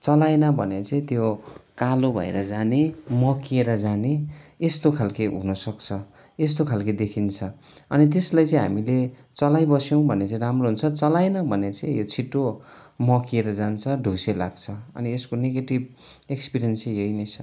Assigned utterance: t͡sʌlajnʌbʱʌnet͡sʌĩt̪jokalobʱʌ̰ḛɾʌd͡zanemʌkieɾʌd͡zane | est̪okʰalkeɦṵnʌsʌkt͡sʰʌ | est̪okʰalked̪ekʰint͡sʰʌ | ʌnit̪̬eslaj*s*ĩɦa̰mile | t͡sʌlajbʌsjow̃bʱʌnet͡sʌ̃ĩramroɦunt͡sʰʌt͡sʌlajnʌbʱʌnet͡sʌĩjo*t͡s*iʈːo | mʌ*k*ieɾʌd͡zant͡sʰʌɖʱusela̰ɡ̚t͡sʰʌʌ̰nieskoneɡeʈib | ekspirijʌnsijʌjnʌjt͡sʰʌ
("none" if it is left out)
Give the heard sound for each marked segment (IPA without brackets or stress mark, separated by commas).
t͡s, t͡sʰ, k